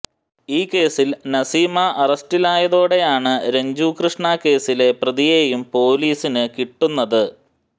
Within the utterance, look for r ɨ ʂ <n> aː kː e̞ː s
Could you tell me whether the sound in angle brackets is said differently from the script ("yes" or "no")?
yes